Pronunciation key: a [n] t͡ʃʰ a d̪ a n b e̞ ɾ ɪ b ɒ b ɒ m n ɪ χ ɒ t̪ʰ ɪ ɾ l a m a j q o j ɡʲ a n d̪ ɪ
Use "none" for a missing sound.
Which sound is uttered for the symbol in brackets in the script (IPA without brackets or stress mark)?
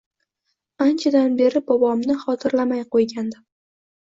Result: n